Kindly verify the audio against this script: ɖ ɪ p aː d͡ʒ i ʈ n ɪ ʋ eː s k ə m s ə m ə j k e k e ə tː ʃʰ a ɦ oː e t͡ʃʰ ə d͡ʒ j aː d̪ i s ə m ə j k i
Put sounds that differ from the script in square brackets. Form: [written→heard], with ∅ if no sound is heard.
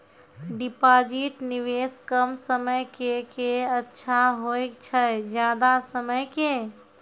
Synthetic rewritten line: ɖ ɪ p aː d͡ʒ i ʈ n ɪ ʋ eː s k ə m s ə m ə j k e k e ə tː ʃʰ a ɦ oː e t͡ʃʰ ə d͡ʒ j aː d̪ [i→a] s ə m ə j k [i→e]